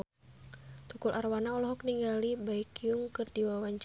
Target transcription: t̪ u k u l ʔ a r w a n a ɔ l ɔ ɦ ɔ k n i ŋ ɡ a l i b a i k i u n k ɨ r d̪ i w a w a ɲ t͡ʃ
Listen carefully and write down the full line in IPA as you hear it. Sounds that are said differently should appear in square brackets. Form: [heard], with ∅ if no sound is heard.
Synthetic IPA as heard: t̪ u k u l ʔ a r w a n a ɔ l ɔ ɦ ɔ k n i ŋ ɡ a l i b a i k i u [ŋ] k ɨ r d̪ i w a w a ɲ t͡ʃ